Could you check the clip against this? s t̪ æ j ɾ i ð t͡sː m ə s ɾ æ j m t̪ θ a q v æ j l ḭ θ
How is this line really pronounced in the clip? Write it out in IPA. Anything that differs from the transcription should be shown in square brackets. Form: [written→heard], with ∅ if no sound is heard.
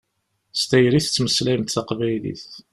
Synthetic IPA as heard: s t̪ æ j ɾ i [ð→θ] t͡sː m ə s [ɾ→l] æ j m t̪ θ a q v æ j l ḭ θ